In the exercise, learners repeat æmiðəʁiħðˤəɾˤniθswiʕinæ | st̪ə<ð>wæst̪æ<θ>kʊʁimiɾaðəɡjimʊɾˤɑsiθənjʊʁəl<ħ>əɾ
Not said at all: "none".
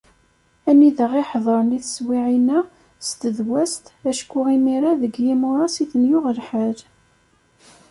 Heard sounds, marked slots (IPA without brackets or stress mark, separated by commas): ð, ʃ, ħ